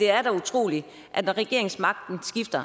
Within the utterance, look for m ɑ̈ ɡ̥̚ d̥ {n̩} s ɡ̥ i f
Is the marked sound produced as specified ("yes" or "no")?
yes